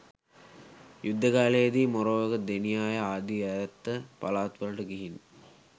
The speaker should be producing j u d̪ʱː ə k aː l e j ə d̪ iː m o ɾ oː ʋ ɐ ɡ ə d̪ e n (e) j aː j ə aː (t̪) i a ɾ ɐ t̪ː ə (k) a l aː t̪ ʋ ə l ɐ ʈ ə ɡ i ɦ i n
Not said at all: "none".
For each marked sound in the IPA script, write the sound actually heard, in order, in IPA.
i, d̪, p

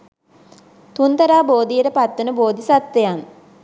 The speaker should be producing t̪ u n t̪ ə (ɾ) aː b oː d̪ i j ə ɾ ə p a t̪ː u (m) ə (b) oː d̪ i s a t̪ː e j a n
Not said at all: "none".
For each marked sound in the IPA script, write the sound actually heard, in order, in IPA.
ɾ, n, b

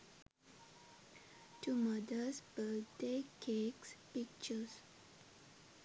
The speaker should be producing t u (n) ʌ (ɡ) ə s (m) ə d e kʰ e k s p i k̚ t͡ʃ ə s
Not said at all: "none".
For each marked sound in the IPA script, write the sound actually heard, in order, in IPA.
m, d, b

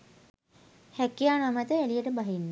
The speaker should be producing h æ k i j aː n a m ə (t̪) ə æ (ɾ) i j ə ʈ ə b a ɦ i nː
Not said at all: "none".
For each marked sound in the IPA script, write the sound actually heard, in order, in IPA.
t̪, l

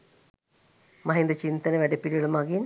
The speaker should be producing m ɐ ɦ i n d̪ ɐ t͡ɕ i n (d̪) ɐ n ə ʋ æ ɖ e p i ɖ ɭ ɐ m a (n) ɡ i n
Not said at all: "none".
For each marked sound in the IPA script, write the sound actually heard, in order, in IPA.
t̪, none

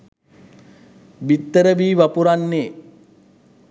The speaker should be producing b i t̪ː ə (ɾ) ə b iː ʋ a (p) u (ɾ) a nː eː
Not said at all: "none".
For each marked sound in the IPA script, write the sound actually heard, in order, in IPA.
ɾ, p, ɾ

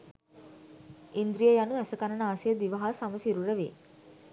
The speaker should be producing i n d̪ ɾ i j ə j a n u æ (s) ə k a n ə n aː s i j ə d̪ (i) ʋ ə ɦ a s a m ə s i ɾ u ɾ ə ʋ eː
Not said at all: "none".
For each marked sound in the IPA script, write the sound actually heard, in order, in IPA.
s, i

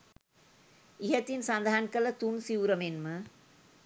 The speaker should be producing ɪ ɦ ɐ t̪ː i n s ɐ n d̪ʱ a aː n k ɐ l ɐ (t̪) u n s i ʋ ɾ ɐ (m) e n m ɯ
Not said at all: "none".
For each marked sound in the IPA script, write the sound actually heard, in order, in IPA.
t̪, m

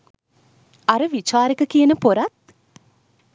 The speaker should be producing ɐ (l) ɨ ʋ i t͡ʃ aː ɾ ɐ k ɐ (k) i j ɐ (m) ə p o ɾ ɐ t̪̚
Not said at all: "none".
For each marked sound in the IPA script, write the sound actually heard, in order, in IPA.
ɾ, k, n

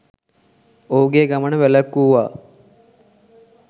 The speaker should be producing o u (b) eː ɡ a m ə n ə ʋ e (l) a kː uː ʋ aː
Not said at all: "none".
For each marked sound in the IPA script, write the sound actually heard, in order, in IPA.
ɡ, l

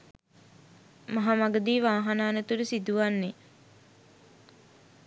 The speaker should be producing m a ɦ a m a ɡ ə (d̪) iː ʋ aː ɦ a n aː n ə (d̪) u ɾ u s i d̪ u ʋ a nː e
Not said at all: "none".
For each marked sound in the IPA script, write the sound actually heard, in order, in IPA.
d̪, t̪

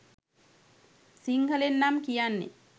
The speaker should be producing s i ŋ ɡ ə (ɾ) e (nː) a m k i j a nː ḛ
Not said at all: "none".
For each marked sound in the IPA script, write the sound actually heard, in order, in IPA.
l, nː

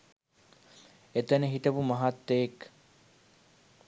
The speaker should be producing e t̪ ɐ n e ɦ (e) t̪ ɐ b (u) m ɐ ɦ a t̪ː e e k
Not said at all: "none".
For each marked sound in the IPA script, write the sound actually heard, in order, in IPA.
i, u

